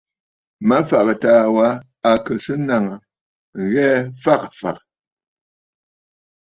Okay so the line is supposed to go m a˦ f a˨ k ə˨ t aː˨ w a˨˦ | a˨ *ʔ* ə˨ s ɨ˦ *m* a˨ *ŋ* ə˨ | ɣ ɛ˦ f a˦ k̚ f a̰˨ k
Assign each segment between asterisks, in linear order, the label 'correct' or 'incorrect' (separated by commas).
incorrect, incorrect, correct